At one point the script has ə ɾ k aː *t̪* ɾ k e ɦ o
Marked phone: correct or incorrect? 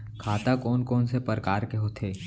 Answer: incorrect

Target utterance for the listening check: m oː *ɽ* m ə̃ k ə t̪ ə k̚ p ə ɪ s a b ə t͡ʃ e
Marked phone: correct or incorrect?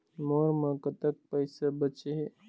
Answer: incorrect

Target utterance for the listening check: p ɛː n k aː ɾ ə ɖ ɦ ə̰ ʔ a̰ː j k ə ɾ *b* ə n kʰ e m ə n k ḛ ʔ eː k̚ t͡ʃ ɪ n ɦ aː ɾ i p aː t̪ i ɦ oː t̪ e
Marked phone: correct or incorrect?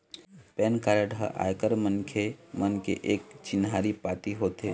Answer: incorrect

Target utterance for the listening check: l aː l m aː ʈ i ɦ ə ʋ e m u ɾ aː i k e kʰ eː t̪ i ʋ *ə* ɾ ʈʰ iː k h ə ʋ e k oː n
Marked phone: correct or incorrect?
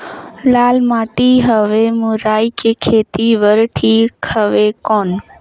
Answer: correct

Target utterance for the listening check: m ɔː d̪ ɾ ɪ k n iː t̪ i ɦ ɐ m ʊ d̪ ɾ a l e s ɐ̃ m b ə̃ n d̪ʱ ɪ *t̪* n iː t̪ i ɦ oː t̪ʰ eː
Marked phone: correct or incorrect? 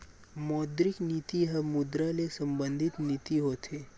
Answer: correct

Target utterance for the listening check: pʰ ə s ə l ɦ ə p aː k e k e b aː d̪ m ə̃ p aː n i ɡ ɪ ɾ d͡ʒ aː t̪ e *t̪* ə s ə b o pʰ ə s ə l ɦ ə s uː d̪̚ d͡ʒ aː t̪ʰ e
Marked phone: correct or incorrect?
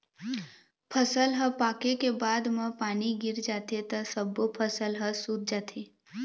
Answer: correct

